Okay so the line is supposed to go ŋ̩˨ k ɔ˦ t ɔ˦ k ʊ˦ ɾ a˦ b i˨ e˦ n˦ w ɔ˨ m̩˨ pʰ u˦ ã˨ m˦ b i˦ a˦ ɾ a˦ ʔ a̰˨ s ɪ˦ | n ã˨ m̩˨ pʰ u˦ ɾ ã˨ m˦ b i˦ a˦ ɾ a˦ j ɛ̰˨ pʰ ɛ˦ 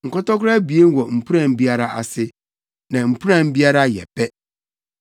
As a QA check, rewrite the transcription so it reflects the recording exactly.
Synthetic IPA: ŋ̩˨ k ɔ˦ t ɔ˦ k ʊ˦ ɾ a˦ b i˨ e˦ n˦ w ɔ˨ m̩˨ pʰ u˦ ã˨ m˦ b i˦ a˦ ɾ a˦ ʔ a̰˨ s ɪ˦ | n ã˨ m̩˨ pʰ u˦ ɾ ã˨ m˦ b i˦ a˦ ɾ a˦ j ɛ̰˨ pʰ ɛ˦